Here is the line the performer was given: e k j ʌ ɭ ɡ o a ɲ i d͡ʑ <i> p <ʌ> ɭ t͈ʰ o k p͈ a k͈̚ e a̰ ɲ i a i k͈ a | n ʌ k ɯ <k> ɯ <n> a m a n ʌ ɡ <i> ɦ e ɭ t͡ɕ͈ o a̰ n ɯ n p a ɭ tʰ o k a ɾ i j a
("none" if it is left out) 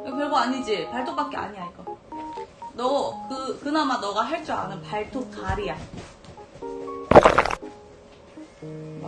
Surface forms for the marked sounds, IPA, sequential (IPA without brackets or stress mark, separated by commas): i, a, k, n, a